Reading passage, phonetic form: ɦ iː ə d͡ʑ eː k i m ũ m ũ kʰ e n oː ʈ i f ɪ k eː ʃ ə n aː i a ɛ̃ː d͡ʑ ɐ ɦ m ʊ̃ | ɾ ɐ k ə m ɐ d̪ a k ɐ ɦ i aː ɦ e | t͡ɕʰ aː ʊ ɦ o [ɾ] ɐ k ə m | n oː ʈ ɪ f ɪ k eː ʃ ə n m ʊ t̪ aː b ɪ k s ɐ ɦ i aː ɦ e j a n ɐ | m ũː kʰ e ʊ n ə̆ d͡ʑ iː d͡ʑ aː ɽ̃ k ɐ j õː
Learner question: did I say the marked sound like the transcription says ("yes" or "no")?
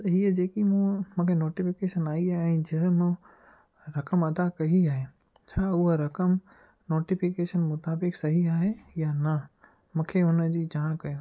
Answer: yes